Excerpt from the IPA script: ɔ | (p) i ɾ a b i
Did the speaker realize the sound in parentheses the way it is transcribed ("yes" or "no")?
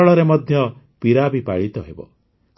yes